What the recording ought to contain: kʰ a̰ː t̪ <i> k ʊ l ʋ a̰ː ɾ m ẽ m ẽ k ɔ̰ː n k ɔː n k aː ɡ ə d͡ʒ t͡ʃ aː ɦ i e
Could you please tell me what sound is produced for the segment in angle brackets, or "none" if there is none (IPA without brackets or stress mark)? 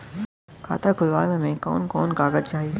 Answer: a